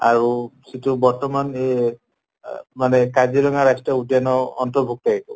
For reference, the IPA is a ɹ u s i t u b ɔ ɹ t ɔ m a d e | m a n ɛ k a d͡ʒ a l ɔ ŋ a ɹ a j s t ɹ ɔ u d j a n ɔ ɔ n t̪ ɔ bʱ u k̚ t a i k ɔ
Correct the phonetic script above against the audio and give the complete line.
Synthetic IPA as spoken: a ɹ u s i t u b ɔ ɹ t ɔ m a n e | m a n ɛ k a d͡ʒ i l ɔ ŋ a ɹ a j s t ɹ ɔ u d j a n ɔ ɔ n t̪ ɔ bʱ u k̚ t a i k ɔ